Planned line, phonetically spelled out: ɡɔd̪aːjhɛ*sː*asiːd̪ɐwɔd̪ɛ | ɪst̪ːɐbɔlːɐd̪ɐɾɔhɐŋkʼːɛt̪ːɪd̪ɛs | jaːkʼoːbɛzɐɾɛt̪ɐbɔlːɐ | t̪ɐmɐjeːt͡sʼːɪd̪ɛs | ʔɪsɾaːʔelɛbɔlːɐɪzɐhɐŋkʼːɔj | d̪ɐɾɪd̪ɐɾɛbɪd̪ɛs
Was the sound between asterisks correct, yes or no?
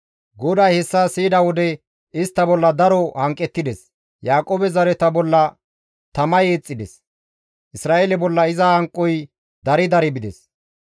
yes